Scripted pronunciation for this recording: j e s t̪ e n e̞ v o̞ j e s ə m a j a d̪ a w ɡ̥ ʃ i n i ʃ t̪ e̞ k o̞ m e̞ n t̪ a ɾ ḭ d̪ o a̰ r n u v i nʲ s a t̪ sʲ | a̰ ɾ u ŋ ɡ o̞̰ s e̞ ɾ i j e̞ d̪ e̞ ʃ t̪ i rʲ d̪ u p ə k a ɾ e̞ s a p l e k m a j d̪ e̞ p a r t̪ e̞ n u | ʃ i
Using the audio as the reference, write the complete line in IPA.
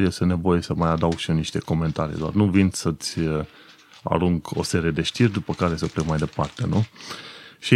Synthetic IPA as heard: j e s t̪ e n e̞ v o̞ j e s ə m a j a d̪ a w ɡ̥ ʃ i n i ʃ t̪ e̞ k o̞ m e̞ n t̪ a ɾ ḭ d̪ o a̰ r n u v i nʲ s ə t̪ sʲ | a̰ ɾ u ŋ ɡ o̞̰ s e̞ ɾ i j e̞ d̪ e̞ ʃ t̪ i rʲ d̪ u p ə k a ɾ e̞ s ə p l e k m a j d̪ e̞ p a r t̪ e̞ n u | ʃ i